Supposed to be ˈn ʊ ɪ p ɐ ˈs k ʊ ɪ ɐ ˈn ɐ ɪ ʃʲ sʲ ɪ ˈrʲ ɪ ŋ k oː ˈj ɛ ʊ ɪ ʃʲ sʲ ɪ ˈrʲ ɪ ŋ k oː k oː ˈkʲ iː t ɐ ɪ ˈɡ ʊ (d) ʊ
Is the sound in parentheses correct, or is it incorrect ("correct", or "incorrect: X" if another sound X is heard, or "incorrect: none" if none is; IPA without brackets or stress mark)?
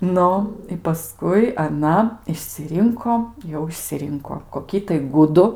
correct